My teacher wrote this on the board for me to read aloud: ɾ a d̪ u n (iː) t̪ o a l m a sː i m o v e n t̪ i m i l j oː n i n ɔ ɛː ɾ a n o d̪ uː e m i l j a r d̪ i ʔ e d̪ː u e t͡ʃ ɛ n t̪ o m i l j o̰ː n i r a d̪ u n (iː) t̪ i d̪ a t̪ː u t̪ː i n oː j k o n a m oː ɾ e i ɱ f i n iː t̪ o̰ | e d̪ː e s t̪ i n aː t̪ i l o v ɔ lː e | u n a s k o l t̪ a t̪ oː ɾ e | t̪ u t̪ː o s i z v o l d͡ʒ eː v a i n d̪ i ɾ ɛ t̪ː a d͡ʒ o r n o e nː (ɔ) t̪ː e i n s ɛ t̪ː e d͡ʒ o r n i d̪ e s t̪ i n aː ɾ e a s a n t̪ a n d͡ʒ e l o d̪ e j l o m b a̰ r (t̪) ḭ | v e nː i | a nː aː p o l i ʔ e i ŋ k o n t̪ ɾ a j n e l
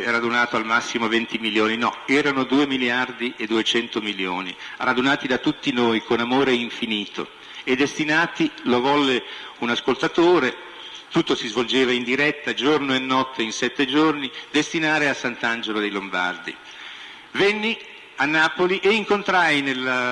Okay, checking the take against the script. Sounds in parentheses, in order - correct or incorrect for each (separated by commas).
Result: incorrect, incorrect, correct, incorrect